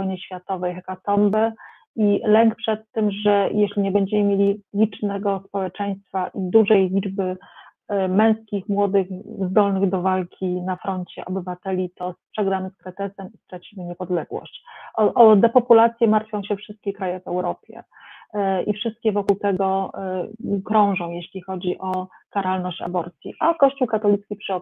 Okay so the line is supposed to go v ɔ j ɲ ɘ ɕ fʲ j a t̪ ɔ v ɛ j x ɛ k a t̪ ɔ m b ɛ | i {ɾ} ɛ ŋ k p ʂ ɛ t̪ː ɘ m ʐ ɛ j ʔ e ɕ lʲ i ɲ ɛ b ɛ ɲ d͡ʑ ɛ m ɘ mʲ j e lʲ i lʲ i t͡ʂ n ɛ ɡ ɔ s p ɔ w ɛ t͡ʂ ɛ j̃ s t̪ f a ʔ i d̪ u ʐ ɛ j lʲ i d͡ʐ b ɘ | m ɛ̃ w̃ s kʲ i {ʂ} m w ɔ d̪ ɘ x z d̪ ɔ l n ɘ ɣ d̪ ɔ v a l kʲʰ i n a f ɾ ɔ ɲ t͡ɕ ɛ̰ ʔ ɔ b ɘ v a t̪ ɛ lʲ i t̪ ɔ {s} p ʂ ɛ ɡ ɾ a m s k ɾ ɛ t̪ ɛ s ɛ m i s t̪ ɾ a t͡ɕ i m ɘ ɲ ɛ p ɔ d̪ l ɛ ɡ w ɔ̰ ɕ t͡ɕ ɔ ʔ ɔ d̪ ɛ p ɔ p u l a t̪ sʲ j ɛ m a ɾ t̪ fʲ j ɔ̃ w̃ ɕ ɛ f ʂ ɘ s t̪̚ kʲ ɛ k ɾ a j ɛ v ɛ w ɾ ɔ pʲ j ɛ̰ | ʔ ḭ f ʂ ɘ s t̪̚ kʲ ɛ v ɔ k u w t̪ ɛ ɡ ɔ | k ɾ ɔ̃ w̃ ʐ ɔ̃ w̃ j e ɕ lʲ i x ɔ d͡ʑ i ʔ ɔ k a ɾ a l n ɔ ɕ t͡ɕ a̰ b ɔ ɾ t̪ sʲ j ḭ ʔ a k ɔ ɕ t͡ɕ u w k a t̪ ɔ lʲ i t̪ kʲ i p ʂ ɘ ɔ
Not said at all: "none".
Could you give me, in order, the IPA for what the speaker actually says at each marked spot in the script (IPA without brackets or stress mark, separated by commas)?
l, x, s